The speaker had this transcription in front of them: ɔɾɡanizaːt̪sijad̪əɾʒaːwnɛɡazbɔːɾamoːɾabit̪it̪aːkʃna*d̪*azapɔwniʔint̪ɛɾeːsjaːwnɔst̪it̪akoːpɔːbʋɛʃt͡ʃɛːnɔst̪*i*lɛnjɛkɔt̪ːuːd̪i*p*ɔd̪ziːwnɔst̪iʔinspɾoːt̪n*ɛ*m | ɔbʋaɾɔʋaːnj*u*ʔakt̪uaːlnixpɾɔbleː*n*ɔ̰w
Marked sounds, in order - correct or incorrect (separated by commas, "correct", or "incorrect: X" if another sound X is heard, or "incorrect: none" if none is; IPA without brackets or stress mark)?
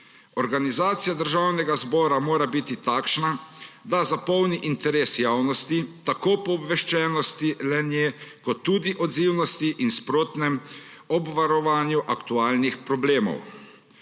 correct, correct, incorrect: ʔ, correct, correct, incorrect: m